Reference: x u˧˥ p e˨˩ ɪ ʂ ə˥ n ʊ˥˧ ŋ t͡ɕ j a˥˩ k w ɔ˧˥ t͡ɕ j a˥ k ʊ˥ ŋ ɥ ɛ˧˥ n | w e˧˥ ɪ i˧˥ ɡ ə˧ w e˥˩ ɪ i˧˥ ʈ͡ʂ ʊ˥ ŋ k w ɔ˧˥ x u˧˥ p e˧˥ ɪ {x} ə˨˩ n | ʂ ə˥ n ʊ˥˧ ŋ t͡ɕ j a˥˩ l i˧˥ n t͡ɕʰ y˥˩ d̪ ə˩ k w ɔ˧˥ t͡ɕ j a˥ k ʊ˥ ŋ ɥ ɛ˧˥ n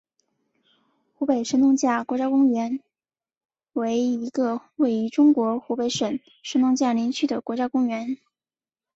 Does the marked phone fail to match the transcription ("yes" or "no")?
yes